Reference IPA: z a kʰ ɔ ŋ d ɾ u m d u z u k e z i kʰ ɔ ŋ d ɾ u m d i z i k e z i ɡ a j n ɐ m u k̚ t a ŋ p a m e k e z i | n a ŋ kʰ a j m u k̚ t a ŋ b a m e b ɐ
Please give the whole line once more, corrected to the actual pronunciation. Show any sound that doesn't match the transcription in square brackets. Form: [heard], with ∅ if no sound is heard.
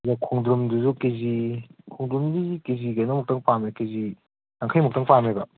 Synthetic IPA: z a kʰ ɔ ŋ d ɾ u m d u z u k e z i kʰ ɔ ŋ d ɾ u m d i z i k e z i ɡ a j n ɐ m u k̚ t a ŋ p a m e k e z i | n a ŋ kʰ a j m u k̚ t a ŋ [p] a m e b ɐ